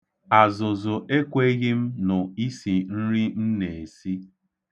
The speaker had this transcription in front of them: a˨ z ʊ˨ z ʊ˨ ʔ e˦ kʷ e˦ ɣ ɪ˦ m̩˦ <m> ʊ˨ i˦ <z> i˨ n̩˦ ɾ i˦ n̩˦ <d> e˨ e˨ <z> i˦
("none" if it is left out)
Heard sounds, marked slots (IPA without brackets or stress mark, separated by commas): n, s, n, s